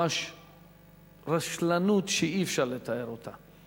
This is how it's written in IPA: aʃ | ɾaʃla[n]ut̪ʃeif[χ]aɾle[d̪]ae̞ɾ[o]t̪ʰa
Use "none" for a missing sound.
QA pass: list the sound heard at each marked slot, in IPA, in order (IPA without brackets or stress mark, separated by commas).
n, ʃ, t̪, o